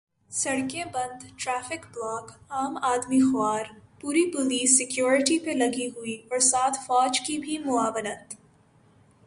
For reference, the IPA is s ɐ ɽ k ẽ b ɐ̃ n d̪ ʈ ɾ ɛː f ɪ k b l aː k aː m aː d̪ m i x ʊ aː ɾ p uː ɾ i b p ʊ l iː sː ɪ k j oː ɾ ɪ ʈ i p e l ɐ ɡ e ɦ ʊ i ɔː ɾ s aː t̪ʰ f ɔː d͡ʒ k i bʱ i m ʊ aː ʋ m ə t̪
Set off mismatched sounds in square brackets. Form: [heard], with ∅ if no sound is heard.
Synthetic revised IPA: s ɐ ɽ k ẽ b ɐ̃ n d̪ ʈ ɾ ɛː f ɪ k b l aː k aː m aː d̪ m i x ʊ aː ɾ p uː ɾ i [∅] p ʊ l iː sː ɪ k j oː ɾ ɪ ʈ i p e l ɐ ɡ [i] ɦ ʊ i ɔː ɾ s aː t̪ʰ f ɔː d͡ʒ k i bʱ i m ʊ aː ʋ [n] ə t̪